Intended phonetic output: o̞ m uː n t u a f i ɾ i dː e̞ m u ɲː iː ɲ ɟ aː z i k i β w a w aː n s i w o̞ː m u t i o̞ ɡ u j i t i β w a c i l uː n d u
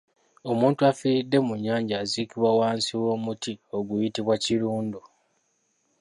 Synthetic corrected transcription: o̞ m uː n t u a f i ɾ i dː e̞ m u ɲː aː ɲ ɟ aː z i k i β w a w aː n s i w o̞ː m u t i o̞ ɡ u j i t i β w a c i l uː n d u